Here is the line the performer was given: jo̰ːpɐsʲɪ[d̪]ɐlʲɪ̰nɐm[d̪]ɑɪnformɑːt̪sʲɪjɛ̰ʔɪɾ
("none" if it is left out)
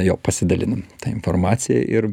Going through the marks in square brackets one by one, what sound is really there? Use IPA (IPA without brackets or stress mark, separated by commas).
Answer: d̪, t̪